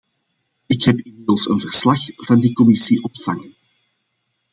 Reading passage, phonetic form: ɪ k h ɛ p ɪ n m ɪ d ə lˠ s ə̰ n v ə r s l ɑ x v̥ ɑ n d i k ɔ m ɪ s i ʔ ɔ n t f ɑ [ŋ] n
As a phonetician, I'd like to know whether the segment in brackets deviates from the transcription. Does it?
no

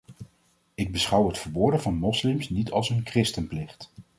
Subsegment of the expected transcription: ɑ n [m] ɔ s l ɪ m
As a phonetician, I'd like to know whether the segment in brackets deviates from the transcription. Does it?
no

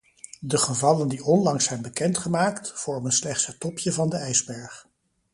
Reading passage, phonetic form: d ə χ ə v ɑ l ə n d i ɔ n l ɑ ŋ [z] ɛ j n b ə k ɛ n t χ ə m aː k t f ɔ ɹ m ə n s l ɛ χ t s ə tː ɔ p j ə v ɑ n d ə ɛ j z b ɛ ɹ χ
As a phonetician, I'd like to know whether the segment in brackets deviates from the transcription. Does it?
yes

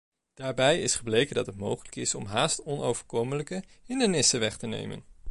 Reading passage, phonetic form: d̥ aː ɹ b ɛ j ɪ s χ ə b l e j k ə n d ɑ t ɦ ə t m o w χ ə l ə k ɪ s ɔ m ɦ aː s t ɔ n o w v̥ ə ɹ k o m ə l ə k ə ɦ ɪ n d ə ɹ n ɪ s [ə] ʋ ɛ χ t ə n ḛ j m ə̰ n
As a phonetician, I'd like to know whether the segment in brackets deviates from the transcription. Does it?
no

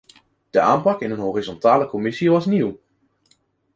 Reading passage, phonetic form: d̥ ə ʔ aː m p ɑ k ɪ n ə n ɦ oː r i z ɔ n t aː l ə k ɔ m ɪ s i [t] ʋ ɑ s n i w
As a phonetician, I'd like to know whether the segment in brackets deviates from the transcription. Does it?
yes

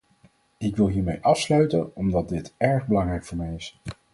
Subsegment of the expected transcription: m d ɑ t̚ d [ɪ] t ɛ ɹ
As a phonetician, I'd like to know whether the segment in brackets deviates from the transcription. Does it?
no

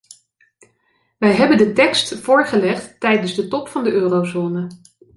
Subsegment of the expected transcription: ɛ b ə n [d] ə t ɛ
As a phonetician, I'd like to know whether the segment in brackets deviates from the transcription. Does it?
no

